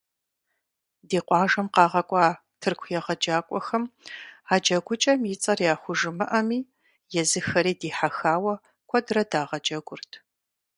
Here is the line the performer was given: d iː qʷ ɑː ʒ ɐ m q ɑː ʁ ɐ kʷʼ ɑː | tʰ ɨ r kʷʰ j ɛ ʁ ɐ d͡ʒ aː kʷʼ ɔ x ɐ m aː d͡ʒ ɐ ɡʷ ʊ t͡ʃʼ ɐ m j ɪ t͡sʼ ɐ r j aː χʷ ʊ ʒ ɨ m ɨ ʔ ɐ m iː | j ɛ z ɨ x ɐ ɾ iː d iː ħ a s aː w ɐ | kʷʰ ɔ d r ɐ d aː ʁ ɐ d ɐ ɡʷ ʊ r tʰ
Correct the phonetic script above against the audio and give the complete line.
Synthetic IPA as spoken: d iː qʷ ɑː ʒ ɐ m q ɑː ʁ ɐ kʷʼ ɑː | tʰ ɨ r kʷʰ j ɛ ʁ ɐ d͡ʒ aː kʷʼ ɔ x ɐ m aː d͡ʒ ɐ ɡʷ ʊ t͡ʃʼ ɐ m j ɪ t͡sʼ ɐ r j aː χʷ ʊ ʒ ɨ m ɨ ʔ ɐ m iː | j ɛ z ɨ x ɐ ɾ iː d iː ħ a x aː w ɐ | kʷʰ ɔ d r ɐ d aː ʁ ɐ d͡ʒ ɐ ɡʷ ʊ r tʰ